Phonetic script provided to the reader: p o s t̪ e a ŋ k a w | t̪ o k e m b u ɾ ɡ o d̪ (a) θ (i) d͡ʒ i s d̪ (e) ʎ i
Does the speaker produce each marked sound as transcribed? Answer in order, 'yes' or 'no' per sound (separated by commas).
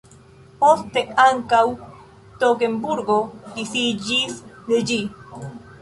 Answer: no, yes, yes